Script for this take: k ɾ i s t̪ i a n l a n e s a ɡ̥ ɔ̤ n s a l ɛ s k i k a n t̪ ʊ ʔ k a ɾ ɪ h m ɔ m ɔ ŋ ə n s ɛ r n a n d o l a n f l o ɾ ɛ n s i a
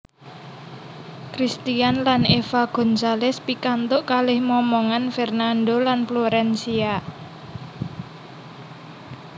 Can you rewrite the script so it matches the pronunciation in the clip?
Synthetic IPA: k ɾ i s t̪ i a n l a n e f a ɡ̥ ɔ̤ n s a l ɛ s p i k a n t̪ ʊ ʔ k a l ɪ h m ɔ m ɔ ŋ a n f ɛ r n a n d o l a n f l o ɾ ɛ n s i a